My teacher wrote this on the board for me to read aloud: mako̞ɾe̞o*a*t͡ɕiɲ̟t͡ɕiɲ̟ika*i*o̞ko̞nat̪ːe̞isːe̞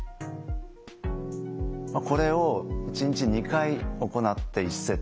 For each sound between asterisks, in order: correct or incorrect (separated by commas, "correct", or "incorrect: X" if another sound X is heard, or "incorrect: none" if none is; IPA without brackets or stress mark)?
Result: incorrect: i, correct